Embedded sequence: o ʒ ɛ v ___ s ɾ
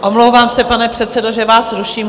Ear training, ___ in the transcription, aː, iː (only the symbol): aː